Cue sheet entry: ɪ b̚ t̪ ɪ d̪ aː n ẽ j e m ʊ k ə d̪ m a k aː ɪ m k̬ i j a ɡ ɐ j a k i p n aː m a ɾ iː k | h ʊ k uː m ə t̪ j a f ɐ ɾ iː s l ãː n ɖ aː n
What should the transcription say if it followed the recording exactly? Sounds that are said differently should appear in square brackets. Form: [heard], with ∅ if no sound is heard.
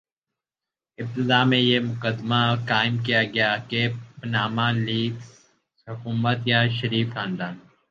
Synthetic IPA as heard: ɪ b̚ t̪ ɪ d̪ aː [m] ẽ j e m ʊ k ə d̪ m a k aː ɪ m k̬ i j a ɡ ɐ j a k [e] p n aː m a [l] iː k | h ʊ k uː m ə t̪ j a [ʃ] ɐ ɾ iː [f] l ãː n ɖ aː n